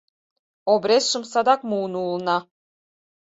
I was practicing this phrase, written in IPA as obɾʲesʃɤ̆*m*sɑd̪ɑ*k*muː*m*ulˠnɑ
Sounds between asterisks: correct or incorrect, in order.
correct, correct, incorrect: n

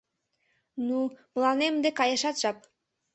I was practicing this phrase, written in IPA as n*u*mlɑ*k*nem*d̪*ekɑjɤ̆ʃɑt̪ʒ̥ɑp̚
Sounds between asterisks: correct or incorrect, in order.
correct, incorrect: none, correct

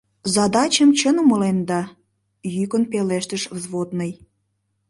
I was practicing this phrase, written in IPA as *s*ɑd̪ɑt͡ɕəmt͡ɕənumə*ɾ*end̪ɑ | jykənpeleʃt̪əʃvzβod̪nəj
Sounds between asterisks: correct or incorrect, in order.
incorrect: z, incorrect: l

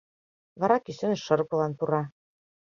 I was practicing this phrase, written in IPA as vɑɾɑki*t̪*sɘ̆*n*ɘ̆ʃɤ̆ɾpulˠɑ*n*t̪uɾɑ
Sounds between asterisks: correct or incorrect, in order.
incorrect: none, correct, correct

